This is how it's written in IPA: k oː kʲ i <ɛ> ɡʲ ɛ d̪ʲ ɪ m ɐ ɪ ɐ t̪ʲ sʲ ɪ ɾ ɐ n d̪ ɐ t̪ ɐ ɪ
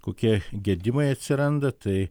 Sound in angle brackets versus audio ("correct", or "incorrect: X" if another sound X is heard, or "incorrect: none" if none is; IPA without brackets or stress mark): correct